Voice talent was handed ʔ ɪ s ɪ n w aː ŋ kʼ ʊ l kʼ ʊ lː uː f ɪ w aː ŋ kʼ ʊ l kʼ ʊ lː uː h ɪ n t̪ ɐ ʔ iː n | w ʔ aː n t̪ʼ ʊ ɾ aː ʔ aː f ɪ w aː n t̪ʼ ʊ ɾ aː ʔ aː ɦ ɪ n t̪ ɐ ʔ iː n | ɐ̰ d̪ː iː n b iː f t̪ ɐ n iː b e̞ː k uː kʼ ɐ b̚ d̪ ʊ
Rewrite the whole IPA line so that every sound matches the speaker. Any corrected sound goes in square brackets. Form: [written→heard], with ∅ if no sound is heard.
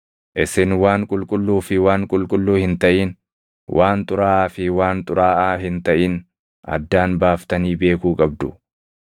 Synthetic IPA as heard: ʔ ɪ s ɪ n w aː ŋ kʼ ʊ l kʼ ʊ lː uː f ɪ w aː ŋ kʼ ʊ l kʼ ʊ lː uː h ɪ n t̪ ɐ ʔ iː n | w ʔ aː n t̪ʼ ʊ ɾ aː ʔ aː f ɪ w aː n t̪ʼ ʊ ɾ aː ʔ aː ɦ ɪ n t̪ ɐ ʔ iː n | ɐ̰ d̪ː [iː→aː] n b [iː→aː] f t̪ ɐ n iː b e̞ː k uː kʼ ɐ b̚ d̪ ʊ